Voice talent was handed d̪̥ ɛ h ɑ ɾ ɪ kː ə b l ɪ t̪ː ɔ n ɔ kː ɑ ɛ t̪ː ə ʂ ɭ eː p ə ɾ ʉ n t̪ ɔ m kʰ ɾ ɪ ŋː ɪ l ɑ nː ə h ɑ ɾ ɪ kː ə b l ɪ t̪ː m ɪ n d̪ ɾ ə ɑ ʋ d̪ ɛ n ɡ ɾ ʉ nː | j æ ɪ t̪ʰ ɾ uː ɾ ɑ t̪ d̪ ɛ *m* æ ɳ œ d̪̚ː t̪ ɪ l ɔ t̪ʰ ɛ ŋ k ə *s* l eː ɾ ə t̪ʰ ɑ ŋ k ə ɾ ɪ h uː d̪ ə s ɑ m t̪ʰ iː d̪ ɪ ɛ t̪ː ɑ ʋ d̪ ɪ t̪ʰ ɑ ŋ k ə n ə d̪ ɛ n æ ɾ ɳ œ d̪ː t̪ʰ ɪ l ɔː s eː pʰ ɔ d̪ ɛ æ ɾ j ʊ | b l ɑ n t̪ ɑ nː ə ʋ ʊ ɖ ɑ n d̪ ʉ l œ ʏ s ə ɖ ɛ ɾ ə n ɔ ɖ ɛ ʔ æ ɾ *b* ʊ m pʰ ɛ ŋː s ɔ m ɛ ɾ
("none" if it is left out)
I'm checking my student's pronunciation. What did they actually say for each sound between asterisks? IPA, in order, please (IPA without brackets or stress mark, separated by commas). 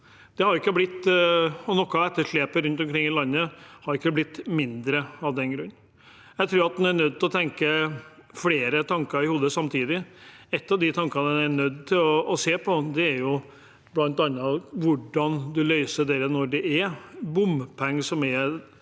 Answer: n, f, b